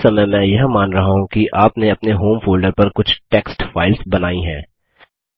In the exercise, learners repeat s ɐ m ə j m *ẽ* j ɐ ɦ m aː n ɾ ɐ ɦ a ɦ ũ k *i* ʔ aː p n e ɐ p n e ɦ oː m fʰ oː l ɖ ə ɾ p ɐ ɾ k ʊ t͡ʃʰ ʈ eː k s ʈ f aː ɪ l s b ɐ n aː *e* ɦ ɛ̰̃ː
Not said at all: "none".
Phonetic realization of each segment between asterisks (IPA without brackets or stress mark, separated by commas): ɛ̃, i, i